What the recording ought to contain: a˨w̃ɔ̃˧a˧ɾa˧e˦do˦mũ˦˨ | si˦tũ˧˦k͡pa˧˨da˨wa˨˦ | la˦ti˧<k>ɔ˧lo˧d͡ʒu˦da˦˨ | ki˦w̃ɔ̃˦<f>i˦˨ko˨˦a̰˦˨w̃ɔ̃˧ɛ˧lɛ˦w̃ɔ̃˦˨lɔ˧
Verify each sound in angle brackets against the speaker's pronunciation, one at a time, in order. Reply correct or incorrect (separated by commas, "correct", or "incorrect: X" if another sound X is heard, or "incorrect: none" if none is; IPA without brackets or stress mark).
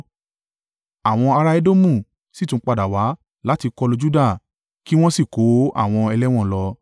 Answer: correct, incorrect: s